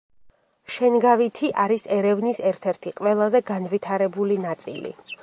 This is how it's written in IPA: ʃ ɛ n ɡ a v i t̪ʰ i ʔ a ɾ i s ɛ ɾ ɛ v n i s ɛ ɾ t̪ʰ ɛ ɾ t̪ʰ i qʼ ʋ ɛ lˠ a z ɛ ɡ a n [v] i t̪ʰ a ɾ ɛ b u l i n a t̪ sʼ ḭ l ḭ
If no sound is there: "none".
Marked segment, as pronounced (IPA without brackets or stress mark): v